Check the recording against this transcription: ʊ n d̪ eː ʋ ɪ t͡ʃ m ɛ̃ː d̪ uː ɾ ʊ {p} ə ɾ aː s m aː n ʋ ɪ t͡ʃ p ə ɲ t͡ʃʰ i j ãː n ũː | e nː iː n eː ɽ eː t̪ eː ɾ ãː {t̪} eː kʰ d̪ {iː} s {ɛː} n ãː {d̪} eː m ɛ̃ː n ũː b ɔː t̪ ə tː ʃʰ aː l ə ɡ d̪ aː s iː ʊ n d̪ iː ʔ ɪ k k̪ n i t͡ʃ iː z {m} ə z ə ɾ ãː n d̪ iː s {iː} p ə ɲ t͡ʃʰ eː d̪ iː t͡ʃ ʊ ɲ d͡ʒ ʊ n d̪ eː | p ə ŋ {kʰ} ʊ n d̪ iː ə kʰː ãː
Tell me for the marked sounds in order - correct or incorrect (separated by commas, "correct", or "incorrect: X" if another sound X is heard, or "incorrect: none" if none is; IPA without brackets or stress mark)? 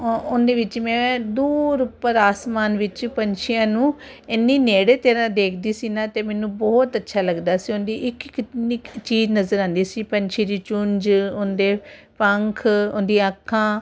correct, incorrect: d̪, correct, incorrect: iː, incorrect: t̪, incorrect: n, correct, correct